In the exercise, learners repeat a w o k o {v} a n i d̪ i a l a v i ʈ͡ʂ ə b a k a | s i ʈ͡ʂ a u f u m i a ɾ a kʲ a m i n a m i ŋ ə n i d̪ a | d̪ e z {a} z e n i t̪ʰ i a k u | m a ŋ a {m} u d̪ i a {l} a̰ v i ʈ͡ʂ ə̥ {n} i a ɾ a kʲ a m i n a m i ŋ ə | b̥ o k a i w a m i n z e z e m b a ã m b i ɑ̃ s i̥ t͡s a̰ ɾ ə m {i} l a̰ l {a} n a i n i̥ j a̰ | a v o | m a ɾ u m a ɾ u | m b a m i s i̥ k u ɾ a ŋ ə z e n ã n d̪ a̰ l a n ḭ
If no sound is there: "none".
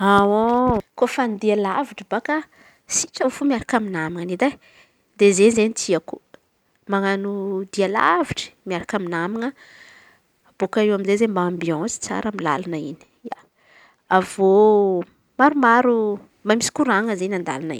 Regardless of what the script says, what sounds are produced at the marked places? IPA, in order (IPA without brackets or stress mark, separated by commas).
f, e, n, l, m, i, a